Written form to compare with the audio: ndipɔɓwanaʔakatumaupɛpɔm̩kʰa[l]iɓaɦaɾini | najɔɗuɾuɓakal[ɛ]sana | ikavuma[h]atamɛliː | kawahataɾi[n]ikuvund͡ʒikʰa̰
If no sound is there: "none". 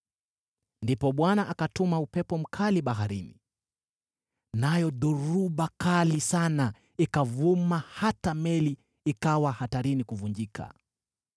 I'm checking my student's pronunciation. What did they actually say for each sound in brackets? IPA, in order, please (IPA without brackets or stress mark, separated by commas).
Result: l, i, h, n